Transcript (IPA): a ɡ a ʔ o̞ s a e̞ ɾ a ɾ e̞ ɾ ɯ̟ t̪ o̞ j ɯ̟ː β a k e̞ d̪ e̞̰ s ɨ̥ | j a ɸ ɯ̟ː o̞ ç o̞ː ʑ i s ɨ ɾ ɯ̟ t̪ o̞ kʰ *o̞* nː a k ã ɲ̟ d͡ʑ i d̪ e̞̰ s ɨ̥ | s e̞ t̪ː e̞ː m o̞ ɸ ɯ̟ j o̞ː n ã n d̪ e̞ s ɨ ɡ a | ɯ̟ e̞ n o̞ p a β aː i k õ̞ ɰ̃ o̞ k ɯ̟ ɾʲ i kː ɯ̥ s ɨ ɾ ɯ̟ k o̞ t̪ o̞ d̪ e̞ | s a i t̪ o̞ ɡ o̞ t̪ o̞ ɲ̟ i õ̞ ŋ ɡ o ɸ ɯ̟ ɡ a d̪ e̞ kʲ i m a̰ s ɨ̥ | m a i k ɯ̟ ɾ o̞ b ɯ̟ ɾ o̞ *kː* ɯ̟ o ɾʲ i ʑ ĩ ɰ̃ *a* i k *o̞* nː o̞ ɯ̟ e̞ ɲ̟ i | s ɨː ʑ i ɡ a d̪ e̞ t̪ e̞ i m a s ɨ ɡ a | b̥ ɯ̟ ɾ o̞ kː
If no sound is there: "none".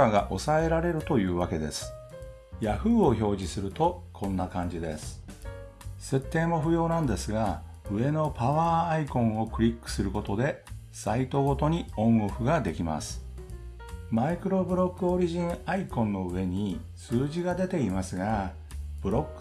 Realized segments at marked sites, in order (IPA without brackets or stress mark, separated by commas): õ̞, kː, a, õ̞